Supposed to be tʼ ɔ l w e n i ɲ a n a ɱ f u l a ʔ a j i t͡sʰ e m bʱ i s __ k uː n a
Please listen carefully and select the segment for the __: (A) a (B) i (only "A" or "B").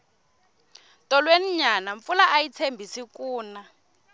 B